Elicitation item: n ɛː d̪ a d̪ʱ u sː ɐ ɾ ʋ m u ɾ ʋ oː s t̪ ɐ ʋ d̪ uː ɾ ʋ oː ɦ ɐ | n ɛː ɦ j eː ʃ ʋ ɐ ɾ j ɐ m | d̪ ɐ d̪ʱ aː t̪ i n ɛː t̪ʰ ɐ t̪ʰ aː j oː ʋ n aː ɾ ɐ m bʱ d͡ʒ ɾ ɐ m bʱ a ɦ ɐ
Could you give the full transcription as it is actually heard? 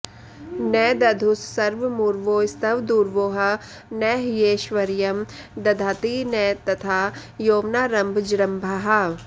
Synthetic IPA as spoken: n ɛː d̪ ɐ d̪ʱ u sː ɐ ɾ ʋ m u ɾ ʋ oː s t̪ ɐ ʋ d̪ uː ɾ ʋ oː ɦ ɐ | n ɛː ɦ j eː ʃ ʋ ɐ ɾ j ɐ m | d̪ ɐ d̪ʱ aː t̪ i n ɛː t̪ ɐ t̪ʰ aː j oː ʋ n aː ɾ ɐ m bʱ d͡ʒ ɾ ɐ m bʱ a ɦ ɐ